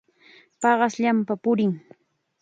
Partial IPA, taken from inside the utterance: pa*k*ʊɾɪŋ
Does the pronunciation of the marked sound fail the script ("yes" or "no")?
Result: yes